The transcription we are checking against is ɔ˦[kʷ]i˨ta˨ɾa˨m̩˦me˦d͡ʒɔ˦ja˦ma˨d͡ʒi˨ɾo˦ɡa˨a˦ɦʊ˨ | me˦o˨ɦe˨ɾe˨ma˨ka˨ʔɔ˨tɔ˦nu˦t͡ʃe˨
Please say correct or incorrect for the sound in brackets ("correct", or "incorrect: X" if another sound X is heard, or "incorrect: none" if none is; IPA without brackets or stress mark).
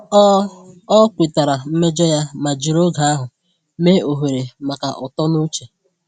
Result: correct